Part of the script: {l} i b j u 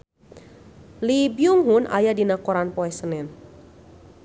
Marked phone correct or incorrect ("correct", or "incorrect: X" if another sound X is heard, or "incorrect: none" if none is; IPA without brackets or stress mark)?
correct